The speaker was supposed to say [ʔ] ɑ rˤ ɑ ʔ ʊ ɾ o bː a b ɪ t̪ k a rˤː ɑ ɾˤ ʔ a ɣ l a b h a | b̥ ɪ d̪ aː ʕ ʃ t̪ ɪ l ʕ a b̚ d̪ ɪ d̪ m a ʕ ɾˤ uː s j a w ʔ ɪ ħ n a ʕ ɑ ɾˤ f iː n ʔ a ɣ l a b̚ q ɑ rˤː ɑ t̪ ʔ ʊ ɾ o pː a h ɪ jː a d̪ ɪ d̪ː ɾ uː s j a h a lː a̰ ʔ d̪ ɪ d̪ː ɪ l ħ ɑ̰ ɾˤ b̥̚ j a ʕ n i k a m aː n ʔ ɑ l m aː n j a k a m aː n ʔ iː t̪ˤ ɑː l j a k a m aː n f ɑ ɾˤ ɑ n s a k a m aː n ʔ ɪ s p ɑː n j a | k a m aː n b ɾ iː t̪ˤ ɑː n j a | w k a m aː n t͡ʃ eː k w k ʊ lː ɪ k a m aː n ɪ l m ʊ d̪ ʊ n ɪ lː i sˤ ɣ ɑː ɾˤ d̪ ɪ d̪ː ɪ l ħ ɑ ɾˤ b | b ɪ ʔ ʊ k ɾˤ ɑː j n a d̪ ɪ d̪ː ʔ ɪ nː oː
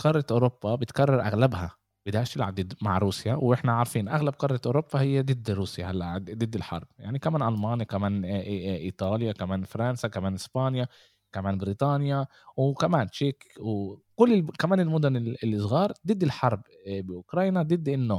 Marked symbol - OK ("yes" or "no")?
no